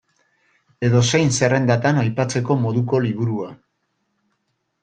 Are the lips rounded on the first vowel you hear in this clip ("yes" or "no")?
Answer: no